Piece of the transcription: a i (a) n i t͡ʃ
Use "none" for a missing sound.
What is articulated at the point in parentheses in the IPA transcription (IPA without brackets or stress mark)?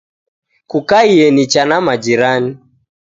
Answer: ɛ